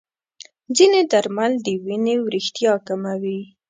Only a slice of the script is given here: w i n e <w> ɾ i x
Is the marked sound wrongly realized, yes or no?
no